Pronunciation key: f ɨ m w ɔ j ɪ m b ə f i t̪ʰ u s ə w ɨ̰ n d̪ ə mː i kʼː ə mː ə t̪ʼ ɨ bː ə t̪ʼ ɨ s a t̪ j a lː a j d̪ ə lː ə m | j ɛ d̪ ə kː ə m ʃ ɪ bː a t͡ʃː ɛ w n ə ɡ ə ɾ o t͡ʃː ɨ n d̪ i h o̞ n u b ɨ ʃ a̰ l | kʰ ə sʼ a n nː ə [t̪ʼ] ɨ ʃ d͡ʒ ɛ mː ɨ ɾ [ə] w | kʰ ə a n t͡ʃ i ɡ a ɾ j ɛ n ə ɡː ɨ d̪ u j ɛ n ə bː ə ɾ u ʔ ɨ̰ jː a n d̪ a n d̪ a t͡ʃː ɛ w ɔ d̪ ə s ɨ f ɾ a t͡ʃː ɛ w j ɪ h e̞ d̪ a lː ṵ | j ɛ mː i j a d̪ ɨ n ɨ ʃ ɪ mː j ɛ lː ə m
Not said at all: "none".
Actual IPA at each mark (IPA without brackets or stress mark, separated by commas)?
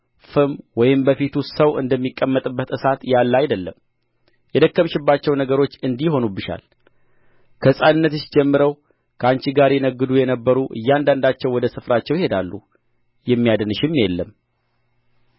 t̪, ə